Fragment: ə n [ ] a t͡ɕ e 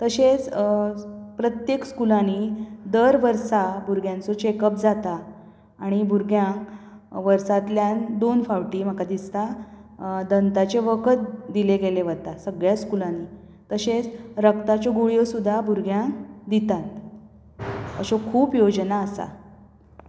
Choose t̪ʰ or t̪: t̪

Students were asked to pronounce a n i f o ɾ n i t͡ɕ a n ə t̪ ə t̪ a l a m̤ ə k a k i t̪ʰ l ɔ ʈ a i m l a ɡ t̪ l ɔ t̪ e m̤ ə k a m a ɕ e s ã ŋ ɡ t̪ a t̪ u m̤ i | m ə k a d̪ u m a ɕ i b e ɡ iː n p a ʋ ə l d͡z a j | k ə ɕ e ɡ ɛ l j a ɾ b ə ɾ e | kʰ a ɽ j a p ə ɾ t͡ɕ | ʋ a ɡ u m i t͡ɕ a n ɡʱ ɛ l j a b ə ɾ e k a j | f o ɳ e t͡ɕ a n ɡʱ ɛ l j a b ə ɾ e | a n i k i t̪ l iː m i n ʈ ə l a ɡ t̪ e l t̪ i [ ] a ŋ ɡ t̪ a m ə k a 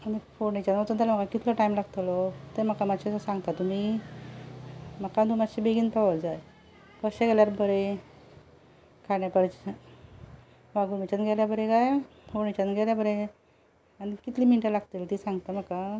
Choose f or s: s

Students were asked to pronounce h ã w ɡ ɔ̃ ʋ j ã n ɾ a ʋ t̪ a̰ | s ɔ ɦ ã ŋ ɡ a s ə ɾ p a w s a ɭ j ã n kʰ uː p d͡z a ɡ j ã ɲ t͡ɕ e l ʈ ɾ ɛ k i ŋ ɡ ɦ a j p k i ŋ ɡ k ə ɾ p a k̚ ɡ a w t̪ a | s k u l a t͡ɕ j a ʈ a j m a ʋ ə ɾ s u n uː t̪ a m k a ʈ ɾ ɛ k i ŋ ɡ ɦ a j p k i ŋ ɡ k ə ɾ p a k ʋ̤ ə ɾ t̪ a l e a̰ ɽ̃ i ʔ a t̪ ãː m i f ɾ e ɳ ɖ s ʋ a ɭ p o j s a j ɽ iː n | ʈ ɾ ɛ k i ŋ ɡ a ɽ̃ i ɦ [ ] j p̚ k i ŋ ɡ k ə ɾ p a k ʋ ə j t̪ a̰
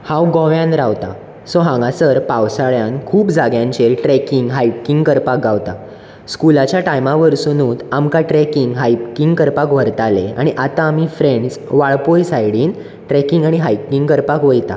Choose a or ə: a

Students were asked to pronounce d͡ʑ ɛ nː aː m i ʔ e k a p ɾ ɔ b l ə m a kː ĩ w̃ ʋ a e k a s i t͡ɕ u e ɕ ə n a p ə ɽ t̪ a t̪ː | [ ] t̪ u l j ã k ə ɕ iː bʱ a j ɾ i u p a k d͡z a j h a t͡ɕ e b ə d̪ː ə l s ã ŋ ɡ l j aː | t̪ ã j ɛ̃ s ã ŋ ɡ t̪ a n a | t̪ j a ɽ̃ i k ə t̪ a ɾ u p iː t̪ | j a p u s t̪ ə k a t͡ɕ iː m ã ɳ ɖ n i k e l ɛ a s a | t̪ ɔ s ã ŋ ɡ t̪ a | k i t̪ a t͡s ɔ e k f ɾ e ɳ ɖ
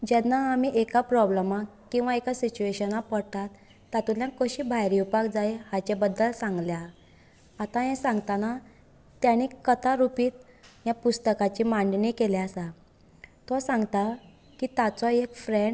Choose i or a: a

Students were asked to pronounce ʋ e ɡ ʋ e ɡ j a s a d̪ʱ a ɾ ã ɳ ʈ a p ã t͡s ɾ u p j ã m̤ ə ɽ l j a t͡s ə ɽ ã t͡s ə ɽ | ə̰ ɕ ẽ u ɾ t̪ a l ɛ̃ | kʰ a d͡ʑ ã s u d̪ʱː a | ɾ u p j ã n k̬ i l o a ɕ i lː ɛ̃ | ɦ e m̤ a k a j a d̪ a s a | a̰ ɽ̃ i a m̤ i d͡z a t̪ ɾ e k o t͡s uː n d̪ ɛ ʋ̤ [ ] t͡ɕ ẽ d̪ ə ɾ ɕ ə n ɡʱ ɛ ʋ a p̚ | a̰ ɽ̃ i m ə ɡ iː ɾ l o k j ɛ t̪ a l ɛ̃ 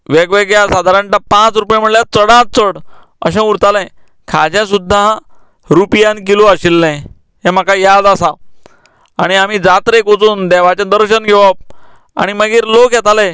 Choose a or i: a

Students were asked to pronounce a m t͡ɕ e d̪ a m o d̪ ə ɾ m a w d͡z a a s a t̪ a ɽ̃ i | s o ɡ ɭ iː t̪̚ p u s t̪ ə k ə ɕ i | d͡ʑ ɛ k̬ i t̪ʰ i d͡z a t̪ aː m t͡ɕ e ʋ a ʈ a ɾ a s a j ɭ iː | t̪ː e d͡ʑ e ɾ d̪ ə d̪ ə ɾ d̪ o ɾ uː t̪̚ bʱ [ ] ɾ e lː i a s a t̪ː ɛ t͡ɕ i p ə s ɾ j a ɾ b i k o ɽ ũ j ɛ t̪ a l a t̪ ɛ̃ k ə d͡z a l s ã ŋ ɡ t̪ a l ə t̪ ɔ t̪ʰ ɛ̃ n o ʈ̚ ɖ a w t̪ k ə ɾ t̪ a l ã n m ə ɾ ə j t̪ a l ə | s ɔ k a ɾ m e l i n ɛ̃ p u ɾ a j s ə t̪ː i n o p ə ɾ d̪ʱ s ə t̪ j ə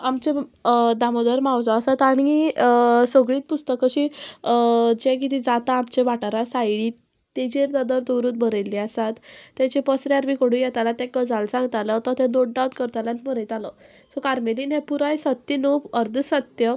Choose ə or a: ə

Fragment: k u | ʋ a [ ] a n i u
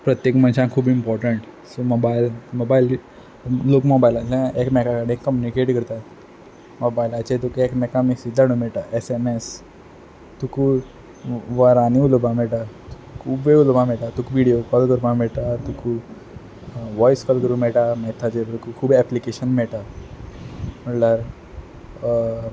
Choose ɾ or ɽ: ɾ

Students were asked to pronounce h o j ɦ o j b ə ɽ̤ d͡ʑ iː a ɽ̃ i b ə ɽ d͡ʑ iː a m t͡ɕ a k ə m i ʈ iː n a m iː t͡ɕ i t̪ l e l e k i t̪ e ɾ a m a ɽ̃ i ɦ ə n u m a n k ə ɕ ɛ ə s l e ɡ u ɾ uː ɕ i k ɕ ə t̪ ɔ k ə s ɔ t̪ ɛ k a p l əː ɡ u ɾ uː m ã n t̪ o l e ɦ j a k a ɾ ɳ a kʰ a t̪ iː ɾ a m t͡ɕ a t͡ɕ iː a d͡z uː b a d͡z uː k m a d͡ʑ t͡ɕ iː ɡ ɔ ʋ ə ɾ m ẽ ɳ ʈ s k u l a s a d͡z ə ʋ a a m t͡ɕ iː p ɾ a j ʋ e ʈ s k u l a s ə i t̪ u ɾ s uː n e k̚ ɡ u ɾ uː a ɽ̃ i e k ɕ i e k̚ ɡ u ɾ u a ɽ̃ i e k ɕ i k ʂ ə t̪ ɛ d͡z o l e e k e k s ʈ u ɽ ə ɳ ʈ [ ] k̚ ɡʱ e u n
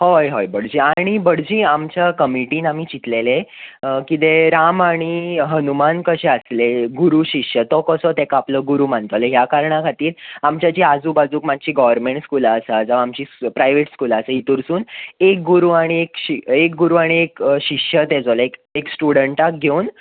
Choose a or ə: a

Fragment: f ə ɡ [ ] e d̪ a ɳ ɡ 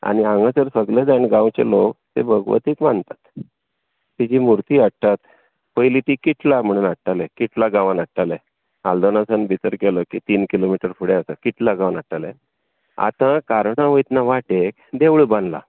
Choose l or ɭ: l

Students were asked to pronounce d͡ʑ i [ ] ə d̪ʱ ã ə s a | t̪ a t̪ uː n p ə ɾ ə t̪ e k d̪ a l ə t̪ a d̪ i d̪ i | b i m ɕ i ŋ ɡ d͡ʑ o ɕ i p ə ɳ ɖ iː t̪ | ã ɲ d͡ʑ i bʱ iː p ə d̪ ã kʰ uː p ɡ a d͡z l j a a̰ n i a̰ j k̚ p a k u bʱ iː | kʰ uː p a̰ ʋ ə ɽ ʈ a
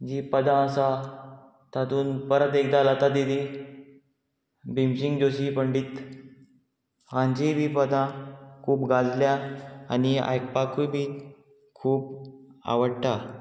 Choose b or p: p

